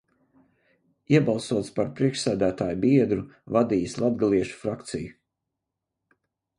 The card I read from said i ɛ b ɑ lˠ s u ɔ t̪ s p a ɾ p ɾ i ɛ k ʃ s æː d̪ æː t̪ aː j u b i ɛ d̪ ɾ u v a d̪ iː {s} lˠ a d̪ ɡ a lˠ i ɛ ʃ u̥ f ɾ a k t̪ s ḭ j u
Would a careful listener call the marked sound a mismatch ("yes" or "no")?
no